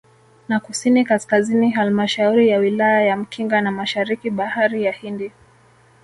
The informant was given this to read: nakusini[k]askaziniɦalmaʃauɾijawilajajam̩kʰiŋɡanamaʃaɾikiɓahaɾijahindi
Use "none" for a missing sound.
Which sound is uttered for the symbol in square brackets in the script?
k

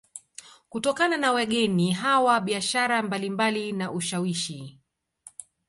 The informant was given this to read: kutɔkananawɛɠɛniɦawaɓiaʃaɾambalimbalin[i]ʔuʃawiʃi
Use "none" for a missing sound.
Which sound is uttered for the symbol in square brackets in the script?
a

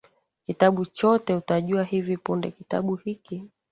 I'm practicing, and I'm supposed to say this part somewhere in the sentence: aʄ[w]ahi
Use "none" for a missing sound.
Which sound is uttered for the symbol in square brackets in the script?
u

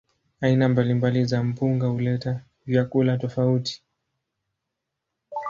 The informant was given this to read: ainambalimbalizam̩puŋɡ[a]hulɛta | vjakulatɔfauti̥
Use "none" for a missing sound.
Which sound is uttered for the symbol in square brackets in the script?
a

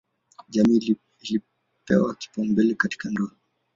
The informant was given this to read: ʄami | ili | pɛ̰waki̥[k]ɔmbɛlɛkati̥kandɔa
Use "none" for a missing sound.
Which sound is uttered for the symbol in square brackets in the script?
p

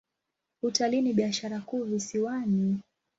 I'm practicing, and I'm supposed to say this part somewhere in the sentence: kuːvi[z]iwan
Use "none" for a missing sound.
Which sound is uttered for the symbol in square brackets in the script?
s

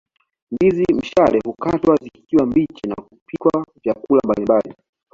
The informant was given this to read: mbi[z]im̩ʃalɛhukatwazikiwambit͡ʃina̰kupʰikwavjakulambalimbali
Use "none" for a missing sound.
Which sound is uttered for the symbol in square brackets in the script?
z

